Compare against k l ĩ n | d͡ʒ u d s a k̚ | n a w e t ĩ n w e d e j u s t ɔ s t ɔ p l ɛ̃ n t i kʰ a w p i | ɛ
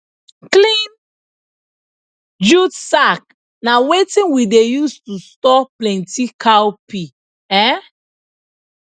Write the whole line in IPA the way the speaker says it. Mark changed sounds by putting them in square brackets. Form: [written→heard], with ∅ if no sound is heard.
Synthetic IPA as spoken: k l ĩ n | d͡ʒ u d s a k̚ | n a w e t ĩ n w [e→i] d e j u s t [ɔ→u] s t ɔ p l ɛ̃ n t i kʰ a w p i | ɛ